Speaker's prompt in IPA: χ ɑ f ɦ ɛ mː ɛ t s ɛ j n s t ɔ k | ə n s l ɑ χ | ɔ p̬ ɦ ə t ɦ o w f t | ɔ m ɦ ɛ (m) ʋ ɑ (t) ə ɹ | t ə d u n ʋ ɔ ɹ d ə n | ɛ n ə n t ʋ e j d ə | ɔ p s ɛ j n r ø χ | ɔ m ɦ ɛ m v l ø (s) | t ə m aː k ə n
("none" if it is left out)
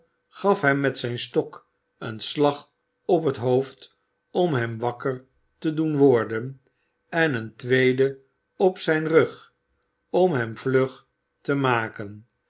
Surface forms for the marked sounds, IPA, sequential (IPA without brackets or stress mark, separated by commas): m, k, χ